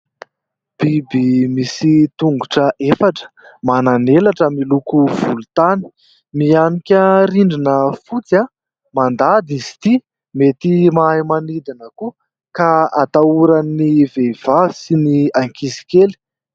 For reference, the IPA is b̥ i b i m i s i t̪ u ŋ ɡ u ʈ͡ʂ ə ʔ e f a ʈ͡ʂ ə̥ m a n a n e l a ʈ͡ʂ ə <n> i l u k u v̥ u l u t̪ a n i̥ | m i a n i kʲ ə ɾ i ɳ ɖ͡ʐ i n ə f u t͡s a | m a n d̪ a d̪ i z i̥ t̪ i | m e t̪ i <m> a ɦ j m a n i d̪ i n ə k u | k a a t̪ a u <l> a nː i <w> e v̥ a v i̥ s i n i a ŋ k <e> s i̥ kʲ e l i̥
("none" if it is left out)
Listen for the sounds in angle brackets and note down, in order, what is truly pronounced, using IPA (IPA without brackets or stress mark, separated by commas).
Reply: m, m, ɾ, v, i